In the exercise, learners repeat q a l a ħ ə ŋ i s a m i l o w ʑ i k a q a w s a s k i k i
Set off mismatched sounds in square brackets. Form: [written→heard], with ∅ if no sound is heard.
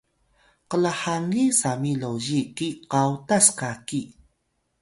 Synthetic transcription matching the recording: q [a→ə] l a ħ [ə→a] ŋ i s a m i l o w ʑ i k [a→i] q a w [s→t] a s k [i→a] k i